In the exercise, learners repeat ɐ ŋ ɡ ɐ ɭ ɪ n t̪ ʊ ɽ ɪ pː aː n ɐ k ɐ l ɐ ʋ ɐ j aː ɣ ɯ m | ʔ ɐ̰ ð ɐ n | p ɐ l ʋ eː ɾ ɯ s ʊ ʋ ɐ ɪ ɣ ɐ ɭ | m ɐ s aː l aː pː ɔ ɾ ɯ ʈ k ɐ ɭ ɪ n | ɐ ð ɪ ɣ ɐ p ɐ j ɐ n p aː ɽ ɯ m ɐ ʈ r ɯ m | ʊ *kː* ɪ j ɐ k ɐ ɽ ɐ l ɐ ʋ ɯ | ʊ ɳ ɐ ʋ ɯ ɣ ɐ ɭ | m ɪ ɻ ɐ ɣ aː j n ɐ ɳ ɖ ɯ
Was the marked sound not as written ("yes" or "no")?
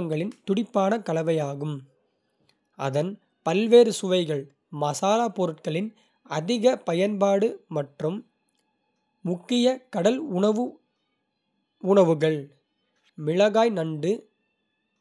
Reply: no